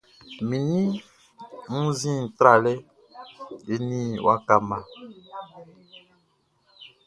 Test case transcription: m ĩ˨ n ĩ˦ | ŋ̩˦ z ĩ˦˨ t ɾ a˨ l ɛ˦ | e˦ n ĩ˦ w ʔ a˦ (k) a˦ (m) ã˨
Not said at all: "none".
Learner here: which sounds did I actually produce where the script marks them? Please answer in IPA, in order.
k, m

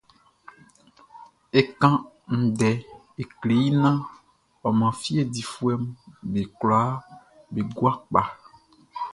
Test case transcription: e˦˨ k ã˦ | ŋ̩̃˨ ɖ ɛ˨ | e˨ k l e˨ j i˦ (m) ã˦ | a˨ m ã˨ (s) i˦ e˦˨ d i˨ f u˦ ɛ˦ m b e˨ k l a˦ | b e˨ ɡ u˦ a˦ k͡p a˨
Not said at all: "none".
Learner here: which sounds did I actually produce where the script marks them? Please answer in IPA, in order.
n, f

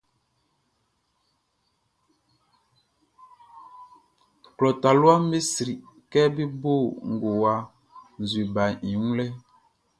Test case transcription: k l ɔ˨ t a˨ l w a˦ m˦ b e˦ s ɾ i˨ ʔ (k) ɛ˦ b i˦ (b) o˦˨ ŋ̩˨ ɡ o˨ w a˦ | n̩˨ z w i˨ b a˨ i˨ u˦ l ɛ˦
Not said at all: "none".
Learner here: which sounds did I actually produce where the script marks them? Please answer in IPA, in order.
k, b

